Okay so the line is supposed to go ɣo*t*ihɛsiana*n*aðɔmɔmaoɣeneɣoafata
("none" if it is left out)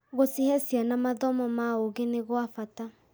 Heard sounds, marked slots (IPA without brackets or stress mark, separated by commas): s, m